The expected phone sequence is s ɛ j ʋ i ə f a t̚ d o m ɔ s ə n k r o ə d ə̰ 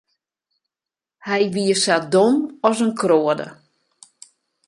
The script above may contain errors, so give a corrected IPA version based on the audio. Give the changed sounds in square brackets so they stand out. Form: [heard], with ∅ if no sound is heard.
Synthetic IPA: [h] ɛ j ʋ i ə [s] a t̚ d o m ɔ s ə n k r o ə d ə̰